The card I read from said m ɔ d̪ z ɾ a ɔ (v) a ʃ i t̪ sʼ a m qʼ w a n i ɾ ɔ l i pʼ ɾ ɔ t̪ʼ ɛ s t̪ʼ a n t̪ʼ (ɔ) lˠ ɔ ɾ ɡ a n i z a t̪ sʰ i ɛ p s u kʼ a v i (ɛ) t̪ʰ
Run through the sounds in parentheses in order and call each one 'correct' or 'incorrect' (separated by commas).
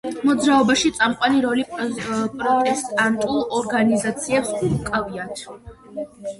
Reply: incorrect, incorrect, incorrect